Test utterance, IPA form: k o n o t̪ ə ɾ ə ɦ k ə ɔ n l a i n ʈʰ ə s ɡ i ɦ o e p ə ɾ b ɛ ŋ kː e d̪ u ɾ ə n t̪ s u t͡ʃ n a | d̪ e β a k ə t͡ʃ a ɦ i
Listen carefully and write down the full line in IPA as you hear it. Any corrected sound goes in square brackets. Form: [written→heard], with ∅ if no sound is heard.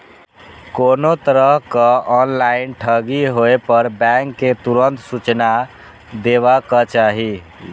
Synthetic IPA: k o n o t̪ ə ɾ ə ɦ k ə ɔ n l a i n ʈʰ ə [s→∅] ɡ i ɦ o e p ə ɾ b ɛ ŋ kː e [d̪→t̪] u ɾ ə n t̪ s u t͡ʃ n a | d̪ e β a k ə t͡ʃ a ɦ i